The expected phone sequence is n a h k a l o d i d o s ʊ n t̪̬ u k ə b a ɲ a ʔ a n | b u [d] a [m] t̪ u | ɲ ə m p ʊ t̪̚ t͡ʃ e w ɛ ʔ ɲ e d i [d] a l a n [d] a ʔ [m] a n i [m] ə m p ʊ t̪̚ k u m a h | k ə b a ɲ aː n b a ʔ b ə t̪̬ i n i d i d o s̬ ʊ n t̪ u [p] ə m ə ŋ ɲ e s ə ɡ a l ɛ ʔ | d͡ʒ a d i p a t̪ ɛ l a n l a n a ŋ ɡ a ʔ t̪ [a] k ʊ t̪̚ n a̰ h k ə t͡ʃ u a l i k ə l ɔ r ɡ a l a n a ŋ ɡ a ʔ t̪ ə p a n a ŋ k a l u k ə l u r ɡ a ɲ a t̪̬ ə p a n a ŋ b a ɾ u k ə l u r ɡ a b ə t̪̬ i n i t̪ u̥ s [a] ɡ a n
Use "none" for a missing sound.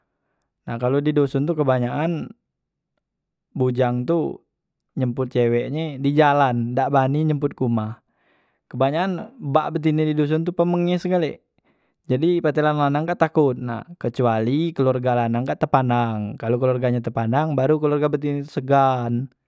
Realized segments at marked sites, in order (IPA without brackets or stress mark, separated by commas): d͡ʒ, ŋ, d͡ʒ, d, b, ɲ, p, a, ə